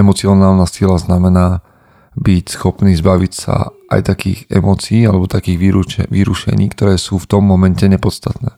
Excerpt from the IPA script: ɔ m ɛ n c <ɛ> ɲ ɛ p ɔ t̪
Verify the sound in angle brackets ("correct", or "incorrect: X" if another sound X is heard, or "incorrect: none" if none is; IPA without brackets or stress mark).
correct